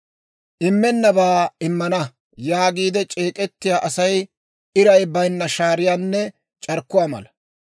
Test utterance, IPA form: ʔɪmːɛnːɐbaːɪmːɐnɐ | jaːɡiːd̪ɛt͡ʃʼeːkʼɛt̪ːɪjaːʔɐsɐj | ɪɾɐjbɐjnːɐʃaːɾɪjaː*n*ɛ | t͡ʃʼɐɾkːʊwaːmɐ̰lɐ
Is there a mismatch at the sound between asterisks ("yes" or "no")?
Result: yes